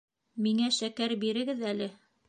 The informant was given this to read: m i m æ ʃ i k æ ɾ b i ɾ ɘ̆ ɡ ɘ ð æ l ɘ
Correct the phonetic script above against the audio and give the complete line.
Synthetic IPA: m i ŋ æ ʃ æ k æ ɾ b i ɾ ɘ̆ ɡ ɘ ð æ l ɘ